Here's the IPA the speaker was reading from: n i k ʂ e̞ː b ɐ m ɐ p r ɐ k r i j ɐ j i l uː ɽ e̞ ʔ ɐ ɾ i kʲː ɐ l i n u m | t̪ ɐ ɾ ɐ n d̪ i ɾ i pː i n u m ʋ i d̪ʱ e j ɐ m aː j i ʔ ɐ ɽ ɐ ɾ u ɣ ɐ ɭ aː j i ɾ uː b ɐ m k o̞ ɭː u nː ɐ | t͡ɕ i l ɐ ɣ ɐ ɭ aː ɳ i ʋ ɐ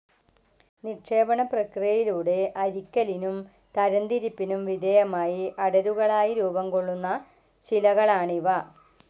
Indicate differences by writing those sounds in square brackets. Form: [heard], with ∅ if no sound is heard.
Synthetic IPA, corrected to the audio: n i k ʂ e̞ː b ɐ [ɳ] ɐ p r ɐ k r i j ɐ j i l uː ɽ e̞ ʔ ɐ ɾ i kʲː ɐ l i n u m | t̪ ɐ ɾ ɐ n d̪ i ɾ i pː i n u m ʋ i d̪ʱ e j ɐ m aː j i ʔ ɐ ɽ ɐ ɾ u ɣ ɐ ɭ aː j i ɾ uː b ɐ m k o̞ ɭː u nː ɐ | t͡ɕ i l ɐ ɣ ɐ ɭ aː ɳ i ʋ ɐ